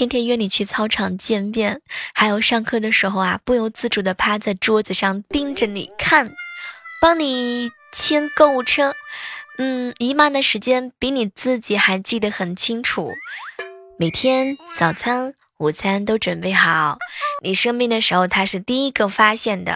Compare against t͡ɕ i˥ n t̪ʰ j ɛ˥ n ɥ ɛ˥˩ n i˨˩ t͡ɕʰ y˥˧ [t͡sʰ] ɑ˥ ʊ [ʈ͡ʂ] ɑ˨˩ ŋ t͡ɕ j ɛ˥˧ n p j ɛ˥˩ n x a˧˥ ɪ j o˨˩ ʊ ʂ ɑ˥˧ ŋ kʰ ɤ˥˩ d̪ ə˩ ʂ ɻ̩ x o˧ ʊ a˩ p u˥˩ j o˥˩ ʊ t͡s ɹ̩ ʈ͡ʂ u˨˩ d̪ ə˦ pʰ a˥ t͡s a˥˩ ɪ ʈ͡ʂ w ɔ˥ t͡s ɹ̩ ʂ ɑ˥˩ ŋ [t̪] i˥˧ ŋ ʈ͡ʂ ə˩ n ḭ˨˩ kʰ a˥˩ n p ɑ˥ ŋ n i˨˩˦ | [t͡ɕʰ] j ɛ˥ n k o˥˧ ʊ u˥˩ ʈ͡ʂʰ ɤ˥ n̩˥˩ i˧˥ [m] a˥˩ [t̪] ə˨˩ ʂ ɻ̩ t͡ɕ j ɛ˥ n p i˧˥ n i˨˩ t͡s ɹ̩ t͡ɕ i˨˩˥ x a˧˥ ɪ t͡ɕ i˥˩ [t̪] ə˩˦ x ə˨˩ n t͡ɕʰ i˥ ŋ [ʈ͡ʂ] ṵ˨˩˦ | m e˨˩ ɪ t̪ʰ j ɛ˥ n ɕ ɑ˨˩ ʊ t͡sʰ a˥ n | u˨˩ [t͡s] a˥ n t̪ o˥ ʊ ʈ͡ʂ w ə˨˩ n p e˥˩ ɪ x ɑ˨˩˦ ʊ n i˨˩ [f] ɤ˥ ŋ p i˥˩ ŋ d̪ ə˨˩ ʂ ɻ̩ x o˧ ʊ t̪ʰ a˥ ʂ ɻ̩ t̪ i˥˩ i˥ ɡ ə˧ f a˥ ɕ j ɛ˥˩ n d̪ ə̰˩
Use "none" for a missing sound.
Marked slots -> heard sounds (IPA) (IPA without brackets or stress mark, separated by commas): t͡sʰ, ʈ͡ʂʰ, t̪, t͡ɕʰ, m, d̪, d̪, ʈ͡ʂʰ, t͡sʰ, ʂ